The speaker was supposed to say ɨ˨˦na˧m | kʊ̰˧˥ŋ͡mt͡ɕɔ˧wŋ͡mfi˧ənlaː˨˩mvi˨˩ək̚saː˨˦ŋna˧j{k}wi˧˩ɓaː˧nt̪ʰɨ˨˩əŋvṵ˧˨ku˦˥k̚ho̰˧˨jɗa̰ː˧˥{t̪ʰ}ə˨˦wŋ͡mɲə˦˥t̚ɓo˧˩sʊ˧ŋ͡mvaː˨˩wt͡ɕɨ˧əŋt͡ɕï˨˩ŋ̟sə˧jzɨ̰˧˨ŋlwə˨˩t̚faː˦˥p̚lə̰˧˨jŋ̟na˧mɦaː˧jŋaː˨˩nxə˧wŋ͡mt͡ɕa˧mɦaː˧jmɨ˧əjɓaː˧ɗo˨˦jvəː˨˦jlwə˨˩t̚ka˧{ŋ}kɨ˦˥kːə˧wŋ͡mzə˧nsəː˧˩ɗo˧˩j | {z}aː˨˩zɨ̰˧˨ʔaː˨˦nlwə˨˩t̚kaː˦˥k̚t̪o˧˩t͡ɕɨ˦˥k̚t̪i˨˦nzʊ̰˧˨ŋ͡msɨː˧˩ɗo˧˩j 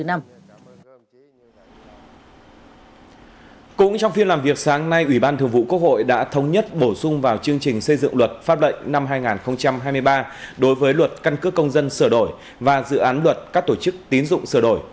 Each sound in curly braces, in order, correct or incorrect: incorrect: ʔ, correct, incorrect: n, incorrect: v

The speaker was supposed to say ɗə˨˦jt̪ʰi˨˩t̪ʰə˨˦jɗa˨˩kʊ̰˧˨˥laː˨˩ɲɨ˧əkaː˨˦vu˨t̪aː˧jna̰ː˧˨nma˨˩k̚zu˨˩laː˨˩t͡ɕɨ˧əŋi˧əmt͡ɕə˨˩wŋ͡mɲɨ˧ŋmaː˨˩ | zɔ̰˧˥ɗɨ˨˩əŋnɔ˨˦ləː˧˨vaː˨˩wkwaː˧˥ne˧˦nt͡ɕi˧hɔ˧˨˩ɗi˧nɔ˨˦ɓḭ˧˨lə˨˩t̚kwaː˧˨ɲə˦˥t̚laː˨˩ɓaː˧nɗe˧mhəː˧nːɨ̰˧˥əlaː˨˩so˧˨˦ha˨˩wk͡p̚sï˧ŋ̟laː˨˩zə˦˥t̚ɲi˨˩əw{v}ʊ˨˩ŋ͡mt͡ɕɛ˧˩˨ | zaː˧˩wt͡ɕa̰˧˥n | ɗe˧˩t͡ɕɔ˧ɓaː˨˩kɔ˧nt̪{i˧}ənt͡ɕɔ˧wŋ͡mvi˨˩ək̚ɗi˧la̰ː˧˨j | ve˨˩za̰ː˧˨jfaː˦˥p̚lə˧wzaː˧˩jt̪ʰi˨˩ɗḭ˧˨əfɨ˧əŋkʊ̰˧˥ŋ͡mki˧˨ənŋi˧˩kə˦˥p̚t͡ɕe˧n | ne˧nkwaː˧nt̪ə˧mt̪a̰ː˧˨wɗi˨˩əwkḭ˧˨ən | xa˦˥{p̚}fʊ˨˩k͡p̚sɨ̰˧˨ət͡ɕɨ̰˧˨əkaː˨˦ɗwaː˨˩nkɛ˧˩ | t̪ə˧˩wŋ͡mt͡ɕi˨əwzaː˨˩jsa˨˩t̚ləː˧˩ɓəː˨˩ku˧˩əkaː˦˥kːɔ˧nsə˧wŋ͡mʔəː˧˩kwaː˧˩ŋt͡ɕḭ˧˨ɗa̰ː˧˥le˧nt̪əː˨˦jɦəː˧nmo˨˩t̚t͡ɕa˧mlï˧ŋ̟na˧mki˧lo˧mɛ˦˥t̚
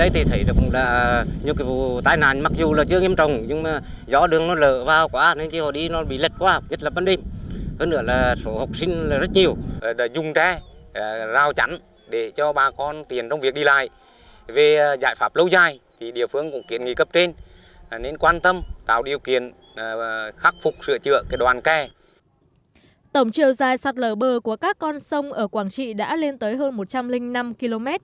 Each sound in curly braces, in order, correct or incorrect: incorrect: z, incorrect: i˨˩, incorrect: k̚

